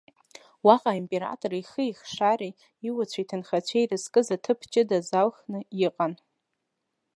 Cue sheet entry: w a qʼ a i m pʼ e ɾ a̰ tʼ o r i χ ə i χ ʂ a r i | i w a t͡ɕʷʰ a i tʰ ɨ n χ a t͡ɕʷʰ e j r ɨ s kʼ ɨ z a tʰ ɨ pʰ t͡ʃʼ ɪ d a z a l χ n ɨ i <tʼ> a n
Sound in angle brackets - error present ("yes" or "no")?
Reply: yes